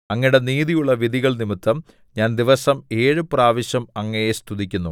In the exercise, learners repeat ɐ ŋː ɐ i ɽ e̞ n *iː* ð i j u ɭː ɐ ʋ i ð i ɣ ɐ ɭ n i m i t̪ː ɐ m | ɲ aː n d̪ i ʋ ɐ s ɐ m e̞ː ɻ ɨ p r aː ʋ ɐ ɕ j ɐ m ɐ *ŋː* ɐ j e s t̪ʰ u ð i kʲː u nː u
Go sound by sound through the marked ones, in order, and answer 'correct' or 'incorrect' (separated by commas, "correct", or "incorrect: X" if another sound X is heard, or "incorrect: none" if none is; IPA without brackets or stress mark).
correct, correct